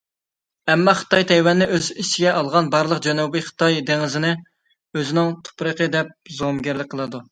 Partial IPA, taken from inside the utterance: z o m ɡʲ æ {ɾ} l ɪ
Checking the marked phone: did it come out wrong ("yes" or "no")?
no